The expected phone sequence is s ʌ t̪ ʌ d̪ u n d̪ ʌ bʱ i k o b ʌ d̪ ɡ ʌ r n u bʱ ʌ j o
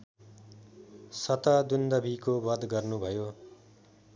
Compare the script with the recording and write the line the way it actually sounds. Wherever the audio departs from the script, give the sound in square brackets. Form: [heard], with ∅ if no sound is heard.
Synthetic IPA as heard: s ʌ t̪ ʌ d̪ u n d̪ ʌ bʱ i k o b ʌ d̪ ɡ ʌ r n u bʱ ʌ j o